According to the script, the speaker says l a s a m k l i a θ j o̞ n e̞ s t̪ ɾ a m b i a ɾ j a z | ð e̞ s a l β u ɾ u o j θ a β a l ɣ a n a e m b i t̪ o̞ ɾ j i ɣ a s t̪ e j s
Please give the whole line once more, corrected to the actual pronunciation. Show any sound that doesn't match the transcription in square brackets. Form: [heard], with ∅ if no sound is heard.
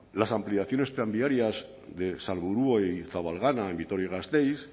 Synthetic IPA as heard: l a s a m [p] l i a θ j o̞ n e̞ s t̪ ɾ a m b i a ɾ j a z | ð e̞ s a l β u ɾ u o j θ a β a l ɣ a n a e m b i t̪ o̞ ɾ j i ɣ a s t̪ e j s